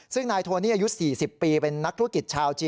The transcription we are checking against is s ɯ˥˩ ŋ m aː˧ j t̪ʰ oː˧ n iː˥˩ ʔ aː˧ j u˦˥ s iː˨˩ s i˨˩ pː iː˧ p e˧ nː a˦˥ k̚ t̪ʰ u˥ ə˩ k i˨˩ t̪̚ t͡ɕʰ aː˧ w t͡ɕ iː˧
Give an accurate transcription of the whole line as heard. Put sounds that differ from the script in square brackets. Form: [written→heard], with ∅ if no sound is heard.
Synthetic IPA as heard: s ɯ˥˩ ŋ [m→n] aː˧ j t̪ʰ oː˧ n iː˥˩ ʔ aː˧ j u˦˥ s iː˨˩ s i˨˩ pː iː˧ p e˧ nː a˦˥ k̚ t̪ʰ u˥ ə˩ k i˨˩ t̪̚ t͡ɕʰ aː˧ w t͡ɕ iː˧